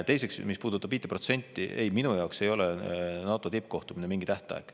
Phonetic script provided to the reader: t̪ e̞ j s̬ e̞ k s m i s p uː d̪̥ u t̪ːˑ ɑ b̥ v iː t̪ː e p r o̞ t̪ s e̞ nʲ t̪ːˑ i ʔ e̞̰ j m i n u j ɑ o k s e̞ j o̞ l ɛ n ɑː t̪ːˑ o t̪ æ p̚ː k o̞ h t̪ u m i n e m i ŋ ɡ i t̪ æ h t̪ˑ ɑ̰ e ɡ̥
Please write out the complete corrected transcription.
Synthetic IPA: t̪ e̞ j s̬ e̞ k s m i s p uː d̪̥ u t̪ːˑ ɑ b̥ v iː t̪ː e p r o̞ t̪ s e̞ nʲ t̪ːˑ i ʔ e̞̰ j m i n u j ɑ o k s e̞ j o̞ l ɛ n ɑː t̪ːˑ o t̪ i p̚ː k o̞ h t̪ u m i n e m i ŋ ɡ i t̪ æ h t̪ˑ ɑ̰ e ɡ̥